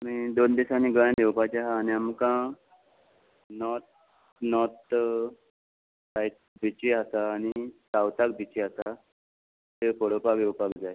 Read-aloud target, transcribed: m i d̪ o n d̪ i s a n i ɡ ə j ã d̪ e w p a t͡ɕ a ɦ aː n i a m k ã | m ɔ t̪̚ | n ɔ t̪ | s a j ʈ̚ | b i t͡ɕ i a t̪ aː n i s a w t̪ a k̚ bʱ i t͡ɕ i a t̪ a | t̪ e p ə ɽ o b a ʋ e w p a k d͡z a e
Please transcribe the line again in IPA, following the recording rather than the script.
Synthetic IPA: m i d̪ o n d̪ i s a n i ɡ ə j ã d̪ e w p a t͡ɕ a ɦ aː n i a m k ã | n ɔ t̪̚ | n ɔ t̪ | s a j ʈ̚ | b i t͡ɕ i a t̪ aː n i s a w t̪ a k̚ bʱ i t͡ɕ i a t̪ a | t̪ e p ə ɽ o p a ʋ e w p a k d͡z a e